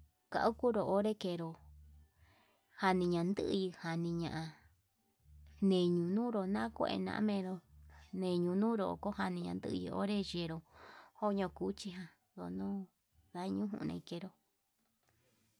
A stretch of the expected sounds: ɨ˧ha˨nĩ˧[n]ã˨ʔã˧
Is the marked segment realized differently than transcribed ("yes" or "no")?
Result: yes